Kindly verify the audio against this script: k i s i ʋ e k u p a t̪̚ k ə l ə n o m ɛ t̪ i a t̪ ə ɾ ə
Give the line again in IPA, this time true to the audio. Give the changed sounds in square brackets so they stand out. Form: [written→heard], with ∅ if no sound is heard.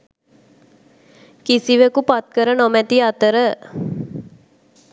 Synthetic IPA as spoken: k i s i ʋ e k u p a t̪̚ k ə [l→ɾ] ə n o m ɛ t̪ i a t̪ ə ɾ ə